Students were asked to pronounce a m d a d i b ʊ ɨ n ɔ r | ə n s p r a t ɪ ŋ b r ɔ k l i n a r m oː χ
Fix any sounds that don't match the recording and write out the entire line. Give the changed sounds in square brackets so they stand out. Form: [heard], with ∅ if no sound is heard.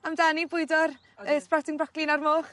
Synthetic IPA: a m d a [n] i b ʊ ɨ [d] ɔ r | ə [∅] s p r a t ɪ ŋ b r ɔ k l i n a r m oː χ